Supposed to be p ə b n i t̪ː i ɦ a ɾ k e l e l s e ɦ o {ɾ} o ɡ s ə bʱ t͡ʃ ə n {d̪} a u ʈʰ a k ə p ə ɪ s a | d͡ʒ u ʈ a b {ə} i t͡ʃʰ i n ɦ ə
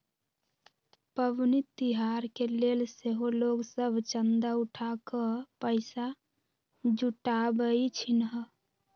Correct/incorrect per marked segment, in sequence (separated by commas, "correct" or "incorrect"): incorrect, correct, correct